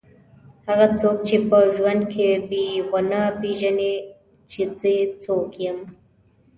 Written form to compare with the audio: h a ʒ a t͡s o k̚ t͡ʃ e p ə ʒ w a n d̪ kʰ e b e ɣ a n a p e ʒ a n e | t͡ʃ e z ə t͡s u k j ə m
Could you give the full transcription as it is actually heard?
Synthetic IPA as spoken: h a ɣ a t͡s o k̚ t͡ʃ e p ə ʒ w a n d̪ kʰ e b e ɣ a n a p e ʒ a n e | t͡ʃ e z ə t͡s o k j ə m